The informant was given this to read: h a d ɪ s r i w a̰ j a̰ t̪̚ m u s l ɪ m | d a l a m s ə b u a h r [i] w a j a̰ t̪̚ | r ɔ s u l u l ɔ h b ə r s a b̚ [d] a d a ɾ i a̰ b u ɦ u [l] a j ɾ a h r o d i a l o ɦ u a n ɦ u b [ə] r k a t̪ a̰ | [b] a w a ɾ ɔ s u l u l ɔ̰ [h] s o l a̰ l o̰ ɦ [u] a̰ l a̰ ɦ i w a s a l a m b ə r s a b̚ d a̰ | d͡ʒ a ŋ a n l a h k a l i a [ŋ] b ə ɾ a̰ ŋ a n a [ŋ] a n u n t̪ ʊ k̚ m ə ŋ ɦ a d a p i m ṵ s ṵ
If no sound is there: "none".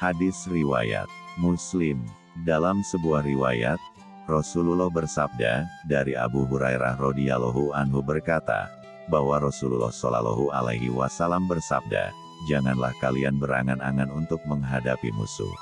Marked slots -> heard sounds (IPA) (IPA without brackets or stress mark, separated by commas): i, d, ɾ, ə, b, h, u, n, ŋ